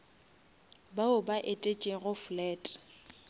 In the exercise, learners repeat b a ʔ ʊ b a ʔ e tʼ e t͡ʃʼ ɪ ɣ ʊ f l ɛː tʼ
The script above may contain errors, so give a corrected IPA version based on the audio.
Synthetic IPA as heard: b a ʊ b a ʔ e tʼ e t͡ʃʼ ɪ ɣ ʊ f l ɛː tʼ